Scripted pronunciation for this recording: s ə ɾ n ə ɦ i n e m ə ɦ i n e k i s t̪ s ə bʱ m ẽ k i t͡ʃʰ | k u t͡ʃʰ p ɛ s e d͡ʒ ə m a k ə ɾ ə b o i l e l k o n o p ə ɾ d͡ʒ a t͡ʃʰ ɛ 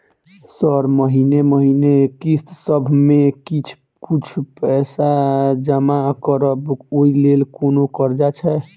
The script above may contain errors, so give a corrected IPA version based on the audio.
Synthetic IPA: s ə ɾ m ə ɦ i n e m ə ɦ i n e k i s t̪ s ə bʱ m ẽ k i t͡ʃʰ | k u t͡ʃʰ p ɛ s a d͡ʒ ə m a k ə ɾ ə b o i l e l k o n o k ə ɾ d͡ʒ a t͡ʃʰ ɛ